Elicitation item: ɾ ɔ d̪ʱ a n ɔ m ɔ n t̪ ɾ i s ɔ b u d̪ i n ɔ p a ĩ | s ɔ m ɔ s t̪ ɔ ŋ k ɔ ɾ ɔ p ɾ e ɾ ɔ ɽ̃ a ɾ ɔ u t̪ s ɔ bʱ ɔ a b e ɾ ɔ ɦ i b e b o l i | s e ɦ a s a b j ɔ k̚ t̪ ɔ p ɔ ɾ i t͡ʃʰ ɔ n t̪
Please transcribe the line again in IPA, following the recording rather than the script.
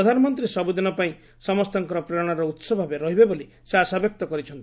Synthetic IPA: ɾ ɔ d̪ʱ a n ɔ m ɔ n t̪ ɾ i s ɔ b u d̪ i n ɔ p a ĩ | s ɔ m ɔ s t̪ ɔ ŋ k ɔ ɾ ɔ p ɾ e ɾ ɔ ɽ̃ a ɾ ɔ u t̪ s ɔ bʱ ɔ a b e ɾ ɔ ɦ i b e b o l i | s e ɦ a s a b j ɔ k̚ t̪ ɔ k ɔ ɾ i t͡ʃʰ ɔ n t̪